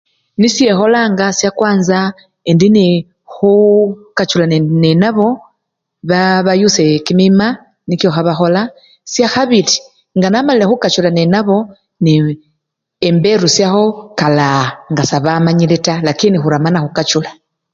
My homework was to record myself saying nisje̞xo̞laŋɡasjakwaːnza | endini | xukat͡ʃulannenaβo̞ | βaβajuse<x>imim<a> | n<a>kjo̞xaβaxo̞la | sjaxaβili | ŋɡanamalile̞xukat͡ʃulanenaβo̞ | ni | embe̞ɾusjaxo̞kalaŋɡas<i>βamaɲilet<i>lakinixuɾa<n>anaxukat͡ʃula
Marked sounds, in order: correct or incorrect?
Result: incorrect: k, correct, incorrect: i, incorrect: a, incorrect: a, incorrect: m

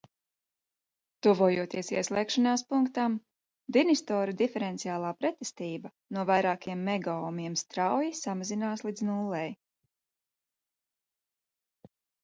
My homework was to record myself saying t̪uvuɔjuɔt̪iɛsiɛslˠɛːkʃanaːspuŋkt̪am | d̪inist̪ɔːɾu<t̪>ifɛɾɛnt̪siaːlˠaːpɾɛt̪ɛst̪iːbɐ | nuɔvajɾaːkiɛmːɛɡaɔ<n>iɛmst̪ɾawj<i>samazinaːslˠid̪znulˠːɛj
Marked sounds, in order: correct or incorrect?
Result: incorrect: d̪, incorrect: m, correct

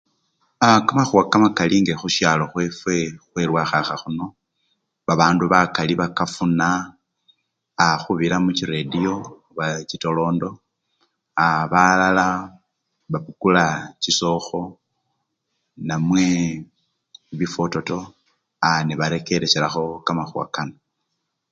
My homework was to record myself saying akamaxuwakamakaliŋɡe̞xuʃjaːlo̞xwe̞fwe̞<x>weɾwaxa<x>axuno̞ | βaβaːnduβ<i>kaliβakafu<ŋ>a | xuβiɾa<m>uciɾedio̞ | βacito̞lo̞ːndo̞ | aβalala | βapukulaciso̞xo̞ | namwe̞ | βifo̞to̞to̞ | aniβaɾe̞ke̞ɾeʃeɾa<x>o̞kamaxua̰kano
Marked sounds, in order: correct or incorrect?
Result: correct, correct, incorrect: a, incorrect: n, correct, correct

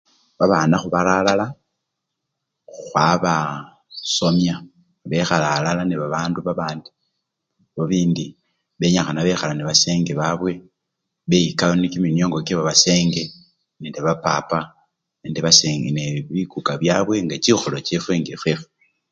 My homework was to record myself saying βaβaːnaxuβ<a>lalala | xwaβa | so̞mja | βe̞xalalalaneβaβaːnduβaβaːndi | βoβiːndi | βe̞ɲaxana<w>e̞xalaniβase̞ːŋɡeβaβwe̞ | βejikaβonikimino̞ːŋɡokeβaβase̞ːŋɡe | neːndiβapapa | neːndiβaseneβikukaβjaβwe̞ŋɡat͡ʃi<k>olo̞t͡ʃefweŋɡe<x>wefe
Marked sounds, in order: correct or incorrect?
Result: correct, incorrect: β, incorrect: x, incorrect: f

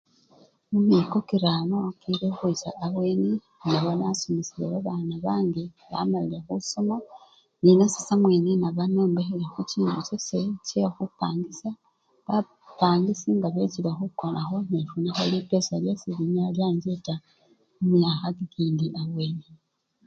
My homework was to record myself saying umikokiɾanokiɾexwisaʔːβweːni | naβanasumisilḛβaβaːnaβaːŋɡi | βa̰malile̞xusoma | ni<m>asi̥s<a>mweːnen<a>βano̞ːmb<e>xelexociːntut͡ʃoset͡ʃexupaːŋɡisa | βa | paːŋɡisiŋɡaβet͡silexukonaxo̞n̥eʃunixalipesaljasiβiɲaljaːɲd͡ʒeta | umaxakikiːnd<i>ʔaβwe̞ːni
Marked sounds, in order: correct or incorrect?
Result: incorrect: n, correct, correct, correct, correct

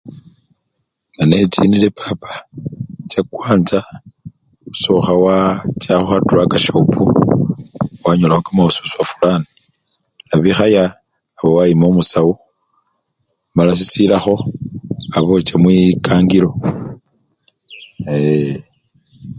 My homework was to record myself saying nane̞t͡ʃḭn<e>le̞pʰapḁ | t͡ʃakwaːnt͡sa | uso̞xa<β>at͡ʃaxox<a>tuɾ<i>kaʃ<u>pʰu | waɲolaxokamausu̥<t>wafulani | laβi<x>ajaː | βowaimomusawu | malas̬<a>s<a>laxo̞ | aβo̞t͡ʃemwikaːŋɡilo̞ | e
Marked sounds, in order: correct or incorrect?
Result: incorrect: i, incorrect: w, correct, incorrect: a, incorrect: o, incorrect: s, correct, incorrect: i, incorrect: i

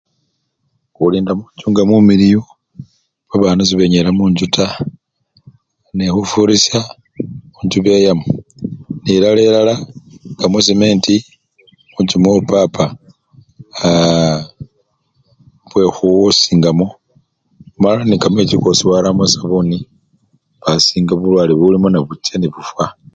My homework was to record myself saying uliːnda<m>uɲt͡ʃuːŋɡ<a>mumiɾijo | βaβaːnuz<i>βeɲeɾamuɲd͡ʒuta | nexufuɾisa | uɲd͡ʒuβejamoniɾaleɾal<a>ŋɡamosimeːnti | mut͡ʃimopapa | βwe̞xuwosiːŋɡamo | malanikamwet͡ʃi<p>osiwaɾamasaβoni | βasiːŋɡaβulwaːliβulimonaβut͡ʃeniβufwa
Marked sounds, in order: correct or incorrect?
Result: correct, correct, correct, correct, incorrect: k

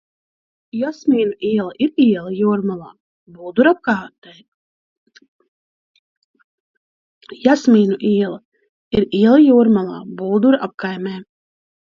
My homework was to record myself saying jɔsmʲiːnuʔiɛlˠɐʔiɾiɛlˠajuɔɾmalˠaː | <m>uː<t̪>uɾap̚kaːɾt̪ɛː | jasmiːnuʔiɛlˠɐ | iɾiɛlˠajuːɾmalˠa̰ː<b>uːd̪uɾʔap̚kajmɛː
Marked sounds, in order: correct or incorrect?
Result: incorrect: b, incorrect: d̪, correct

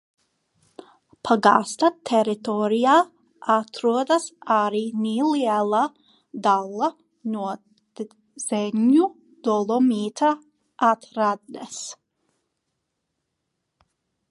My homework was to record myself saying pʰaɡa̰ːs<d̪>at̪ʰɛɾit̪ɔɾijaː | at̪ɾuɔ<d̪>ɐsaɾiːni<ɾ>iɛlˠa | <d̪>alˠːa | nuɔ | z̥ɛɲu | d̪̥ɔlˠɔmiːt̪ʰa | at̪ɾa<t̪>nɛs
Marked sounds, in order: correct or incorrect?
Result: incorrect: t̪, correct, incorrect: l, correct, incorrect: d̪

